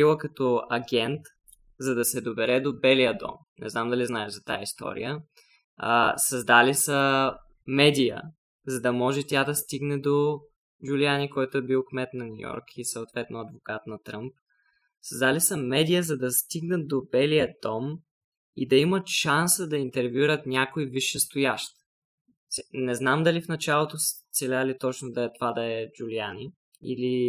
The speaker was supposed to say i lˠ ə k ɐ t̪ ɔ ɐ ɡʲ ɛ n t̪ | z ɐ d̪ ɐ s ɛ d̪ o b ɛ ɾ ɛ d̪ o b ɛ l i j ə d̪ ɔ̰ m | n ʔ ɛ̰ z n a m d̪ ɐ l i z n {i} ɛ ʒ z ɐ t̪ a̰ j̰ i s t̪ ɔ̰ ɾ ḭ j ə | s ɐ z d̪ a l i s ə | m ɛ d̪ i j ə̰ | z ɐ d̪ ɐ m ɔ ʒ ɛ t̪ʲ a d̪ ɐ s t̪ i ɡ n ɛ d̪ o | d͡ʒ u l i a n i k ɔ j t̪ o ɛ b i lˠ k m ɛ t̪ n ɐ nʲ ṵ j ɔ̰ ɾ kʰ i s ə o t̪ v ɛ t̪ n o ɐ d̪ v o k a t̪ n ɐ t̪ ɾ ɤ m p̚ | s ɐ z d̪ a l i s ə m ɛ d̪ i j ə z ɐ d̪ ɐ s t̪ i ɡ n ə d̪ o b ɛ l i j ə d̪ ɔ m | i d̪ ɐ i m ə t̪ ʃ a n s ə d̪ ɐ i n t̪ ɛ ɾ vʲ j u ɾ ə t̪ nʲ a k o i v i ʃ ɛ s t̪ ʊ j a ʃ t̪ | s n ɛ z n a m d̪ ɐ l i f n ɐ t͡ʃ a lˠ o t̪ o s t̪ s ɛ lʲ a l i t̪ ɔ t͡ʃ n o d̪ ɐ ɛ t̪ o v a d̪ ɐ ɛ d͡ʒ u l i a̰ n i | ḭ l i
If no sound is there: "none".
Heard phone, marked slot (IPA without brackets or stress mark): a